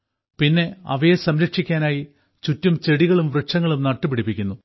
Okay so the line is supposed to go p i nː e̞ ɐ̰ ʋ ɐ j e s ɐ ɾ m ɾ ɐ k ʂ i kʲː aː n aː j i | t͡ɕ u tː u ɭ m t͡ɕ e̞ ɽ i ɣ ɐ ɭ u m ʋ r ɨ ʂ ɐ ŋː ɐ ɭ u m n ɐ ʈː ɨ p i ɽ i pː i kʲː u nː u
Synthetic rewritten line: p i nː e̞ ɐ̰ ʋ ɐ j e s ɐ m ɾ ɐ k ʂ i kʲː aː n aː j i | t͡ɕ u tː u m t͡ɕ e̞ ɽ i ɣ ɐ ɭ u m ʋ r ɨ ʂ ɐ ŋː ɐ ɭ u m n ɐ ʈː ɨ p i ɽ i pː i kʲː u nː u